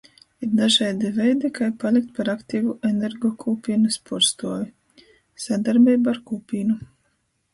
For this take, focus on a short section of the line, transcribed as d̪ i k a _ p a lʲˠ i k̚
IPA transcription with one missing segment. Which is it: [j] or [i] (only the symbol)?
j